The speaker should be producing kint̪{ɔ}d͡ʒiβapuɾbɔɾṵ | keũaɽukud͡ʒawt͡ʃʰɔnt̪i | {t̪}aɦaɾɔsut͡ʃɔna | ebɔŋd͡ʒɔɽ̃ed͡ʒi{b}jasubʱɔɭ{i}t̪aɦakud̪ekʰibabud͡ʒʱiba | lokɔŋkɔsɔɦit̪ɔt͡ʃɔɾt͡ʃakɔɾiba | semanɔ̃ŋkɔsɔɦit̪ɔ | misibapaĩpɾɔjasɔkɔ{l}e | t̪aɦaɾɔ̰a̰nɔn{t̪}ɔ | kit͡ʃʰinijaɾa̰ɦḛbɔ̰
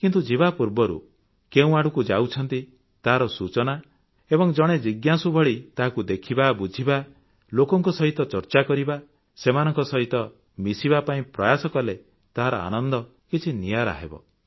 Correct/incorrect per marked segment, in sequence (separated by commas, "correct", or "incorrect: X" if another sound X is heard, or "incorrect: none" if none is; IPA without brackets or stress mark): incorrect: u, correct, incorrect: ɡ, correct, correct, incorrect: d̪